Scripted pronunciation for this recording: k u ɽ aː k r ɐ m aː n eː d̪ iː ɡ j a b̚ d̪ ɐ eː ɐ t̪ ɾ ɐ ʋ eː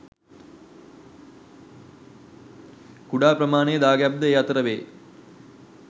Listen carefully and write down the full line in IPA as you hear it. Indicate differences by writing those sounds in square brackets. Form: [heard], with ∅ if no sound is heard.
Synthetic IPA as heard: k u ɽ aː [p] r ɐ m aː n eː d̪ [aː] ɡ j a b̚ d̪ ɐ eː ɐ t̪ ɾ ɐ ʋ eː